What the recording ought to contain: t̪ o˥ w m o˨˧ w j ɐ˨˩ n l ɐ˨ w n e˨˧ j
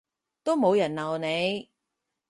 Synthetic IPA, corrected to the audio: t̪ o˥ w m o˨˧ w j ɐ˨˩ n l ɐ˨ w n e˨˧ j